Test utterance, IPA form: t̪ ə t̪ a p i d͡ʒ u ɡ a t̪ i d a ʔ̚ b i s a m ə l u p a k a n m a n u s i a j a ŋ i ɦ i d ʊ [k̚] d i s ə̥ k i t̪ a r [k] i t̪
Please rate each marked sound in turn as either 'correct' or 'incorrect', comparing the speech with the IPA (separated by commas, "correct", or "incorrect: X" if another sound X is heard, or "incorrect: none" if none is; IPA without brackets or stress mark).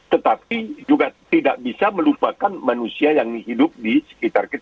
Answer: incorrect: p̚, correct